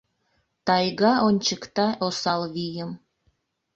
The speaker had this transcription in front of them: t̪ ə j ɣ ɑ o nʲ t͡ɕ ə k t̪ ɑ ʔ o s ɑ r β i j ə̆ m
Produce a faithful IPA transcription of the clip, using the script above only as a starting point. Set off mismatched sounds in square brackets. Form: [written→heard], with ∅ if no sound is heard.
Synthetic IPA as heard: t̪ [ə→ɑ] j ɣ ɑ o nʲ t͡ɕ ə k t̪ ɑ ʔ o s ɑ [r→l] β i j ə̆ m